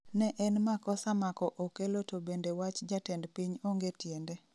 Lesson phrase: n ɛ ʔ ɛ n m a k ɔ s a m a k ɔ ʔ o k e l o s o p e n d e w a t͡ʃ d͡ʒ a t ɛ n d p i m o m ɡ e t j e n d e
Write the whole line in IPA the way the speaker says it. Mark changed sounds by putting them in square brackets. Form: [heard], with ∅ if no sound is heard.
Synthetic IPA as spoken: n ɛ ʔ ɛ n m a k ɔ s a m a k ɔ ʔ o k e l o [t] o [b] e n d e w a t͡ʃ d͡ʒ a t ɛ n d p i [ɲ] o [ŋ] ɡ e t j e n d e